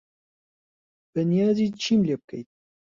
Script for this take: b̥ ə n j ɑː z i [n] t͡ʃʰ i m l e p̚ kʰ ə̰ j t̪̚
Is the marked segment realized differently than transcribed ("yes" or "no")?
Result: yes